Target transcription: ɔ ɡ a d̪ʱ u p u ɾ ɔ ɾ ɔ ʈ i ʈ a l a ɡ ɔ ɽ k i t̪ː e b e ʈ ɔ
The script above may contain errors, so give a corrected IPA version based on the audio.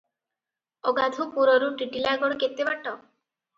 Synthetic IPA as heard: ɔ ɡ a d̪ʱ u p u ɾ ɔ ɾ u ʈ i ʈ i l a ɡ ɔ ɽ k e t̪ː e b a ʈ ɔ